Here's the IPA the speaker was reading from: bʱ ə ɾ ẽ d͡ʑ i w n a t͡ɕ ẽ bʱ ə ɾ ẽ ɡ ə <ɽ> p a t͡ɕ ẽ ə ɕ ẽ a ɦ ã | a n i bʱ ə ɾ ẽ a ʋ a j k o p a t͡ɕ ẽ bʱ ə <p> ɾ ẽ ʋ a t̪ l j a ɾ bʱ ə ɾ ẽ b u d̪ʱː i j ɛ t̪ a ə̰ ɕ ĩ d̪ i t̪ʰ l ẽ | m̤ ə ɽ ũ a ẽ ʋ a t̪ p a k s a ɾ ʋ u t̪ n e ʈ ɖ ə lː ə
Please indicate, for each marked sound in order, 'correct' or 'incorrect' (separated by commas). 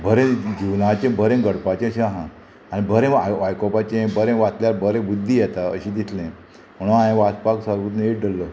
correct, incorrect